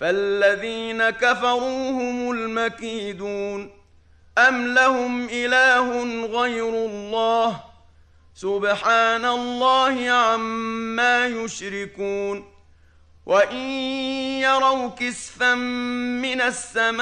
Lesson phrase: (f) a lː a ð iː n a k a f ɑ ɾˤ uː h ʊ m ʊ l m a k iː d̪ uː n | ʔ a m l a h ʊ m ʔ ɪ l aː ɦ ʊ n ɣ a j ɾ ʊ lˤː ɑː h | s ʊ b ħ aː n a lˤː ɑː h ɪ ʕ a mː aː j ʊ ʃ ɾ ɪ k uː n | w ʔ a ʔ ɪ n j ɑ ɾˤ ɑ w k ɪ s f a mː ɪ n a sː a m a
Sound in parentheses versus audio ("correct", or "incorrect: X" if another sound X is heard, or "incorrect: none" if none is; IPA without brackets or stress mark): correct